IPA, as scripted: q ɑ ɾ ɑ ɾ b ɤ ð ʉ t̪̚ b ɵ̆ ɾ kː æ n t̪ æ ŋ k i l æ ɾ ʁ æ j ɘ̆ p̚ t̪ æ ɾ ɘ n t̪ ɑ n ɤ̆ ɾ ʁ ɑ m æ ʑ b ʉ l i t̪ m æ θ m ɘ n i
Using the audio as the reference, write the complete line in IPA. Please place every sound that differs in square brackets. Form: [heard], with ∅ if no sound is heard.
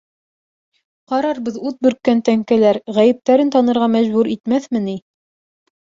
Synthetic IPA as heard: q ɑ ɾ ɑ ɾ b ɤ ð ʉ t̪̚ b ɵ̆ ɾ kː æ n t̪ æ ŋ k [æ] l æ ɾ ʁ æ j ɘ̆ p̚ t̪ æ ɾ ɘ n t̪ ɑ n ɤ̆ ɾ ʁ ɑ m æ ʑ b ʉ [ɾ] i t̪ m æ θ m ɘ n i